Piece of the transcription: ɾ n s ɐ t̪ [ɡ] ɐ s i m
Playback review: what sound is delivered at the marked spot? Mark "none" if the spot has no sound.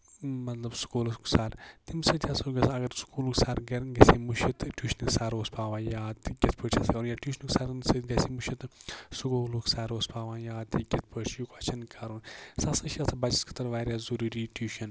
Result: ɡ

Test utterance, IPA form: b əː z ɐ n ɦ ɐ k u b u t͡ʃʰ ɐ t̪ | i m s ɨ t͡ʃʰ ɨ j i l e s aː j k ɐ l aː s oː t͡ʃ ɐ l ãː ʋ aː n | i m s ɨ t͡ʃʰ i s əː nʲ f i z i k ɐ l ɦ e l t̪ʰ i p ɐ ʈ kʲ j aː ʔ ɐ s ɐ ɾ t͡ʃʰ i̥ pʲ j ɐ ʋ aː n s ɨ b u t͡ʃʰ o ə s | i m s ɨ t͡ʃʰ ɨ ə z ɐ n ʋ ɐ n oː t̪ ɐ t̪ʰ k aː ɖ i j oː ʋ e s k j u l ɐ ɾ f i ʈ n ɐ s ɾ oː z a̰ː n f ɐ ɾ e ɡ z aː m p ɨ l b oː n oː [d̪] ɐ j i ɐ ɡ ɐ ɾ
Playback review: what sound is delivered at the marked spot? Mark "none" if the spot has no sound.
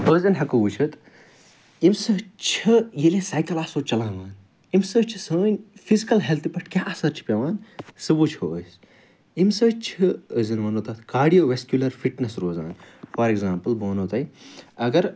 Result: t̪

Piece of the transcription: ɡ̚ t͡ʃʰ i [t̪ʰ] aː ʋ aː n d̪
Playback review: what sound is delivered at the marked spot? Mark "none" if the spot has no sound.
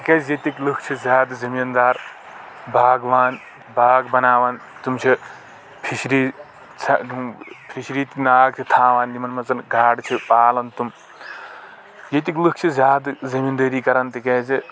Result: t̪ʰ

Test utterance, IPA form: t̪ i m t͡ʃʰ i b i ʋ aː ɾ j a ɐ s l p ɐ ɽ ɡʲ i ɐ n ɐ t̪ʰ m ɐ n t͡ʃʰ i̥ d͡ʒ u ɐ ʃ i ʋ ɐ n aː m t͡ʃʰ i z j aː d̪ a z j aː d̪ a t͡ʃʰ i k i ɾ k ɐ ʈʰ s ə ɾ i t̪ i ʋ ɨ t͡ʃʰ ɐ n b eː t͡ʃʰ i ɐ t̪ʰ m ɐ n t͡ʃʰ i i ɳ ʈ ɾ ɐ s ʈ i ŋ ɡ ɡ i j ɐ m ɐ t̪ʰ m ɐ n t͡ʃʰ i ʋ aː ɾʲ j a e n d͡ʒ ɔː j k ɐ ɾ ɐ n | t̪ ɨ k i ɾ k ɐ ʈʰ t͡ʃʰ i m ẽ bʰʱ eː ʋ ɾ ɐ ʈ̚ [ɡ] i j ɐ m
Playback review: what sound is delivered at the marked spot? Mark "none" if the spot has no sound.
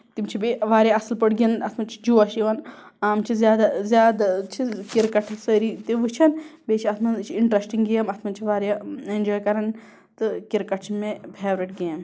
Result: ɡ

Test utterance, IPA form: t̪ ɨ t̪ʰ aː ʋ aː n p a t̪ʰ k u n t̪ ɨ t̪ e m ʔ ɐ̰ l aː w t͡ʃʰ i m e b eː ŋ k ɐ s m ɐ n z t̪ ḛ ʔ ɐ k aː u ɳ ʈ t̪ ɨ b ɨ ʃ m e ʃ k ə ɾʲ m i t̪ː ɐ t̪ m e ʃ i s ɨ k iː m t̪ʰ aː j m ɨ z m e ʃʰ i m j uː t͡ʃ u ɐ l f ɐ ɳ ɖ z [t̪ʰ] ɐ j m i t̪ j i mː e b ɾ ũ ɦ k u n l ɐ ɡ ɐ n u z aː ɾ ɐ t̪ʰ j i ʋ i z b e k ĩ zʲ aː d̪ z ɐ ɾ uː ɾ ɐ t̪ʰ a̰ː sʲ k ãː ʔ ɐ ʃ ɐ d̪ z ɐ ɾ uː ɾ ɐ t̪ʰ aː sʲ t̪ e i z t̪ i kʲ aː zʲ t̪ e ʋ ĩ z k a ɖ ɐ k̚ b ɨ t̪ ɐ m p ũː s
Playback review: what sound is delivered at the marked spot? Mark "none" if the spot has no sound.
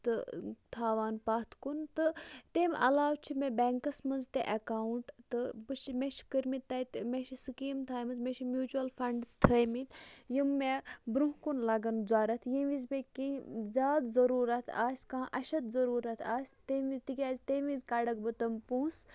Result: t̪ʰ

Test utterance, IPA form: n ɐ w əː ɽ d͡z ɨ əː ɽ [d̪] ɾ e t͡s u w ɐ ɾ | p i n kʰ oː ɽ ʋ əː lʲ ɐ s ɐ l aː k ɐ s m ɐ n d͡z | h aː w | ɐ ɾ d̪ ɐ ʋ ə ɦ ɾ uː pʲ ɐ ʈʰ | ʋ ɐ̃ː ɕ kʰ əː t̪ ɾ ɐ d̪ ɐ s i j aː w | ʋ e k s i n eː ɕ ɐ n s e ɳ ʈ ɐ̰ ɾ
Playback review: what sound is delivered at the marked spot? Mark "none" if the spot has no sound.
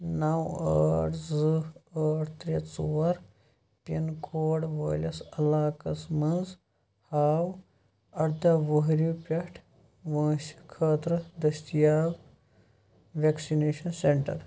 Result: t̪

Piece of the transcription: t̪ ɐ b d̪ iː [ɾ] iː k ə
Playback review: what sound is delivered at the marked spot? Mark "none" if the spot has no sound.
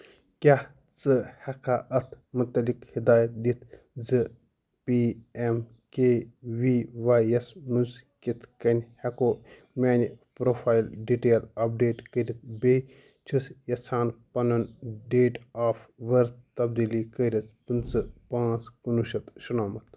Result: l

